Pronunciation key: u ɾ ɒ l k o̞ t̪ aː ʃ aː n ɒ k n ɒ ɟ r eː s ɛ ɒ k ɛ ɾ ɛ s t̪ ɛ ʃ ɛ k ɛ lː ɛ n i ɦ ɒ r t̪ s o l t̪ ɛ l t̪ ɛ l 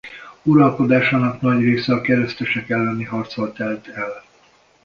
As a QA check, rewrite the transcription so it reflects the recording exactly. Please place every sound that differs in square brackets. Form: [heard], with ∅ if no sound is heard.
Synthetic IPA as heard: u ɾ ɒ l k o̞ [d̪] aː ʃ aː n ɒ k n ɒ ɟ r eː s ɛ ɒ k ɛ ɾ ɛ s t̪ ɛ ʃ ɛ k ɛ lː ɛ n i ɦ ɒ r t̪ s o l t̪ ɛ l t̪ ɛ l